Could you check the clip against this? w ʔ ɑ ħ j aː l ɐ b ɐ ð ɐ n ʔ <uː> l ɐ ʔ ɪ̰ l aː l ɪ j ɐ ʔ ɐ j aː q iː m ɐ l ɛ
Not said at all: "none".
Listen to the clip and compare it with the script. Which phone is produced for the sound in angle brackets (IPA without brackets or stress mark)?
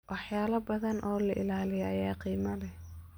ɔː